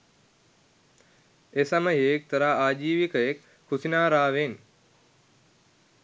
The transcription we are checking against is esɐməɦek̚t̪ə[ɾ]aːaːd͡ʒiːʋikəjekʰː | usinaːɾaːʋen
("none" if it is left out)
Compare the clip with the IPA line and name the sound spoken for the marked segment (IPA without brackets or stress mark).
ɾ